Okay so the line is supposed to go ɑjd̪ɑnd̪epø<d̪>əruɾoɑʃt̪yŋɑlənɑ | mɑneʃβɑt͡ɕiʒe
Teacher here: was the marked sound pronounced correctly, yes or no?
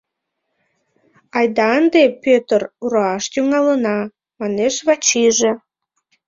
no